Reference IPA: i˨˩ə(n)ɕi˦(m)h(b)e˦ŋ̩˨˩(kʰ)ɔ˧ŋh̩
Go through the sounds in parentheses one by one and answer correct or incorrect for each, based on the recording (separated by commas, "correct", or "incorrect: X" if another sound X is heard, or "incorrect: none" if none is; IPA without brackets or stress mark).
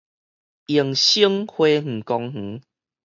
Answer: incorrect: ŋ, incorrect: ŋ, incorrect: w, incorrect: k